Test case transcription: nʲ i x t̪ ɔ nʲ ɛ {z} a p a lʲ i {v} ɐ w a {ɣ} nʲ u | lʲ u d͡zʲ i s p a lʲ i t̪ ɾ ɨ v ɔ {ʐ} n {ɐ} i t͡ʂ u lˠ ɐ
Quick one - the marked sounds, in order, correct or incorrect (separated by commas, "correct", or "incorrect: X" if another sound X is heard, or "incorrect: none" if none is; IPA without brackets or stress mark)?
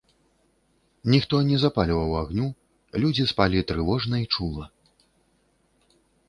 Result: correct, correct, correct, correct, correct